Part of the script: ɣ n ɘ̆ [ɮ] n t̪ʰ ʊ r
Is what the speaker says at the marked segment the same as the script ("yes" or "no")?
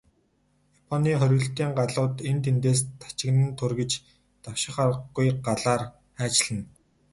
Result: no